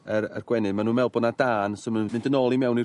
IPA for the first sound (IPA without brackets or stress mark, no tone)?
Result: ə